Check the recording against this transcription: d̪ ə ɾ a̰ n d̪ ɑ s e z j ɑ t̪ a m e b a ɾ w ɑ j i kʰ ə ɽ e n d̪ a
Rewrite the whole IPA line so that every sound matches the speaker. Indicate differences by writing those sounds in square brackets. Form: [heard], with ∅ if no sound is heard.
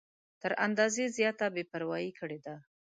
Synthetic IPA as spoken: [t̪] ə ɾ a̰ n d̪ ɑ [z] e z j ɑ t̪ a [b] e [p] a ɾ w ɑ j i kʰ ə ɽ e [∅] d̪ a

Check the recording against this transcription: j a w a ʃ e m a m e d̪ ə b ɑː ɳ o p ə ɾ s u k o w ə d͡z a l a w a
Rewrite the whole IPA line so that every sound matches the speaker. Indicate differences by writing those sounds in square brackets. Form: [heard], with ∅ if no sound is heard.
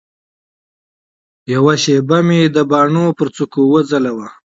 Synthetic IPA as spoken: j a w a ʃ e [b] a m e d̪ ə b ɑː ɳ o p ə ɾ [t͡s] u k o w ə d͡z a l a w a

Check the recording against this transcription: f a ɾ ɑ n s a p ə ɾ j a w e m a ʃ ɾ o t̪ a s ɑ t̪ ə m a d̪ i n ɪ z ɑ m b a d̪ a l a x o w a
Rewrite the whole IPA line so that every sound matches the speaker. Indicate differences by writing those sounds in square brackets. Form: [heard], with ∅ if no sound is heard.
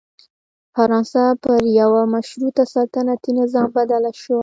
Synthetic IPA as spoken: f a ɾ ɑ n s a p ə ɾ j a w [a] m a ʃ ɾ [u] t̪ a s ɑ t̪ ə [n] a [t̪] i n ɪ z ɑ m b a d̪ a l a [ʃ] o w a

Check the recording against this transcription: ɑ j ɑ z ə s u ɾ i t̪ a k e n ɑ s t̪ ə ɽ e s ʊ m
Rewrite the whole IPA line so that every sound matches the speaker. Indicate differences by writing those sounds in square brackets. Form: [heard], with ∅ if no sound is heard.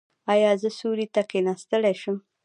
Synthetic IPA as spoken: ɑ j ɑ z ə s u ɾ i t̪ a k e n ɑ s t̪ ə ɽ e [ʃ] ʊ m

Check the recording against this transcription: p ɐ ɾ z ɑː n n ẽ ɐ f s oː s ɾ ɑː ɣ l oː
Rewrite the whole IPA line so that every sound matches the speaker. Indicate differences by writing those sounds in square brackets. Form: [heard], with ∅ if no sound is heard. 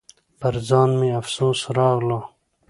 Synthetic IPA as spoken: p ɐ ɾ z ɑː n [m] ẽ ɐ f s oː s ɾ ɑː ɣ l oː

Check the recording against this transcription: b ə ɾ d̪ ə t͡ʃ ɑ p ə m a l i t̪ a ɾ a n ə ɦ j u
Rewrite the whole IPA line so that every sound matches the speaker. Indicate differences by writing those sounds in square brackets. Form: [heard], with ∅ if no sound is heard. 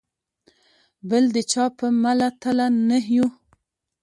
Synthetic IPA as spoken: b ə [l] d̪ ə t͡ʃ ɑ p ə m a l [a] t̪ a [l] a n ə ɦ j u

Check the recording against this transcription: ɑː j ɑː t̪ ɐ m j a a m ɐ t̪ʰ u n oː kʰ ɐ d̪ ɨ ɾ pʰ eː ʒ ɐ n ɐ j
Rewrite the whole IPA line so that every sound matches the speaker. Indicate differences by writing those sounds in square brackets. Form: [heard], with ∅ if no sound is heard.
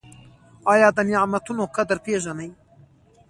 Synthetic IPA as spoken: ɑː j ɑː [d̪] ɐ [n] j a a m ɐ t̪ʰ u n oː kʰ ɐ d̪ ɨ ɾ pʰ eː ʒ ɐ n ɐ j

